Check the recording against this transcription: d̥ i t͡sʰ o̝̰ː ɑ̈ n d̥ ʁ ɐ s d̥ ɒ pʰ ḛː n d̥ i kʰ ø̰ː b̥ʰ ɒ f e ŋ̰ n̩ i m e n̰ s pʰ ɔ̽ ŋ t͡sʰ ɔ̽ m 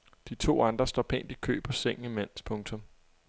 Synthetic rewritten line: d̥ i t͡sʰ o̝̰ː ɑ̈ n d̥ ʁ ɐ s d̥ ɒ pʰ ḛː n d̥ i kʰ ø̰ː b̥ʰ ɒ s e ŋ̰ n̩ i m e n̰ s pʰ ɔ̽ ŋ t͡sʰ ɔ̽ m